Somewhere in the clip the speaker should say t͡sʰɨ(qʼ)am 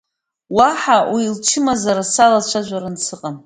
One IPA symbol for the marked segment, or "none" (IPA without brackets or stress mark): qʼ